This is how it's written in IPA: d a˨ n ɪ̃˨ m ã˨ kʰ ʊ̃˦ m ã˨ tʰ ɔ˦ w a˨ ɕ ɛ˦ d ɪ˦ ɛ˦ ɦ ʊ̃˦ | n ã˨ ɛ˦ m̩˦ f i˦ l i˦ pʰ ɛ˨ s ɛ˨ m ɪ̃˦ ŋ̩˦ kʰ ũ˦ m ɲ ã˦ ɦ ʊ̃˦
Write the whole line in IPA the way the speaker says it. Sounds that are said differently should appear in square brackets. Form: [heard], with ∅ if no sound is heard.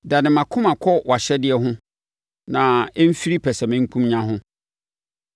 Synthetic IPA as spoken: d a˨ n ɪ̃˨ m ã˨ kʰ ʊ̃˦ m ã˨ [kʰ] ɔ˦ w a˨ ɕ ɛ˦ d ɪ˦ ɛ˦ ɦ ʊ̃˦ | n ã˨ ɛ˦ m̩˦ f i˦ [ɾ] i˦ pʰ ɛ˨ s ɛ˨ m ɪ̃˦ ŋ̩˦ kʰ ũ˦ m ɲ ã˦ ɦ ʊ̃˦